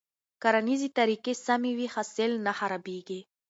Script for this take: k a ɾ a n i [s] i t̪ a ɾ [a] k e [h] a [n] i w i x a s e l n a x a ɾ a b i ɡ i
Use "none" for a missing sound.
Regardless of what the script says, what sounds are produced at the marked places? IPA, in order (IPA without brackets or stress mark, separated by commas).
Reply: z, i, s, m